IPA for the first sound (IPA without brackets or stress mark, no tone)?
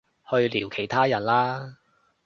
h